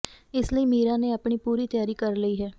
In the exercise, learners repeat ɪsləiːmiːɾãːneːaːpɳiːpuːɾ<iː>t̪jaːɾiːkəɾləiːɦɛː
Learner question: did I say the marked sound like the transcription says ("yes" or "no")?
yes